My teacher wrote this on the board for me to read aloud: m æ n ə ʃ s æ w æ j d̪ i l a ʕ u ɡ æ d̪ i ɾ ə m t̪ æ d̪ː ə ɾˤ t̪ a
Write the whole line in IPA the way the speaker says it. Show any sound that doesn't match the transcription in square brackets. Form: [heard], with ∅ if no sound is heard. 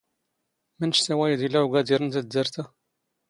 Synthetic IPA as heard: m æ n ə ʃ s æ w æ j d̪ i l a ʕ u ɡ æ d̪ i ɾ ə [n] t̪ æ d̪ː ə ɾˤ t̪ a